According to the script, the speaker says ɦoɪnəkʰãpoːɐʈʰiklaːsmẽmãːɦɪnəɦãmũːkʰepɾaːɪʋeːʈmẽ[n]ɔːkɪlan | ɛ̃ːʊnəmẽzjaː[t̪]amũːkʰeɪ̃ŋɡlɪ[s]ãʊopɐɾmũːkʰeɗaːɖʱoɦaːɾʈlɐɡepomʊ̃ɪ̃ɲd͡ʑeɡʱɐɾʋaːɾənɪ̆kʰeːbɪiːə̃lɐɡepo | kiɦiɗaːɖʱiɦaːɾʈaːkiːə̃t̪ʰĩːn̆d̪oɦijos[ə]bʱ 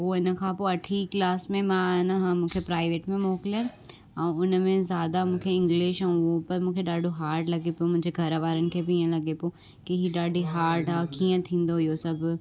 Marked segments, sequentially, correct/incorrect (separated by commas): incorrect, incorrect, incorrect, incorrect